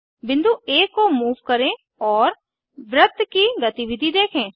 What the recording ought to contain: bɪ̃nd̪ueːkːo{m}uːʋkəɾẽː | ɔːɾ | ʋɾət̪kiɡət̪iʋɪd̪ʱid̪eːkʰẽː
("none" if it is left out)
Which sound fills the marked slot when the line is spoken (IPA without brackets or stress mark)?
m